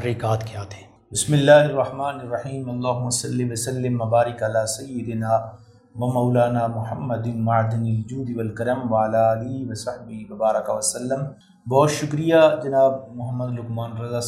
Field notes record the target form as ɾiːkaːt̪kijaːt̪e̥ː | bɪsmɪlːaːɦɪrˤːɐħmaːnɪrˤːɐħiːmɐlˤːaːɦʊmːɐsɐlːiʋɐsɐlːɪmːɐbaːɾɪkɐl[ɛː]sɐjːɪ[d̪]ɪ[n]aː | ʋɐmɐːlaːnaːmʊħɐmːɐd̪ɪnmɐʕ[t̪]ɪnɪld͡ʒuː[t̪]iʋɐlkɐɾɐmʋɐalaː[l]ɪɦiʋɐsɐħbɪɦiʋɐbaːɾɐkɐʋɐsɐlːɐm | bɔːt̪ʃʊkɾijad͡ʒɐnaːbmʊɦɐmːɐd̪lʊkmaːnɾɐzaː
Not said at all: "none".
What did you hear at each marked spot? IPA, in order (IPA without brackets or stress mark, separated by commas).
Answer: aː, d̪, n, d̪, d̪, l